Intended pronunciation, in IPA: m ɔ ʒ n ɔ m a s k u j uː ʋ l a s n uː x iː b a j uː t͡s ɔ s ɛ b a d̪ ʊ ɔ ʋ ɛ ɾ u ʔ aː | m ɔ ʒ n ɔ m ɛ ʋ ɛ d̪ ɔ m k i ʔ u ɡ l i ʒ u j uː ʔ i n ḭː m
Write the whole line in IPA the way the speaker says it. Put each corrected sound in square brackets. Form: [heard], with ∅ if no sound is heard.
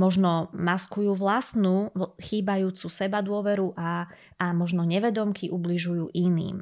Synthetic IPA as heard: m ɔ ʒ n ɔ m a s k u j uː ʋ l a s n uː x iː b a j uː t͡s [u] s ɛ b a d̪ ʊ ɔ ʋ ɛ ɾ u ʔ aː | m ɔ ʒ n ɔ [ɲ] ɛ ʋ ɛ d̪ ɔ m k i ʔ u [b] l i ʒ u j uː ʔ i n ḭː m